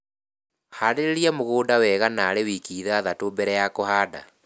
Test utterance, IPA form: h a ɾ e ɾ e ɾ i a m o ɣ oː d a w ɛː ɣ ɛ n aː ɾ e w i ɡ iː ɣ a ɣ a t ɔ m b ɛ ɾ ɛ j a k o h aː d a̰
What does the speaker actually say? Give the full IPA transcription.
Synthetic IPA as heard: h a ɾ e ɾ e ɾ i a m o ɣ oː d a w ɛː ɣ a n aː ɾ e w i k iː ð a ð a t o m b ɛ ɾ ɛ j a k o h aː d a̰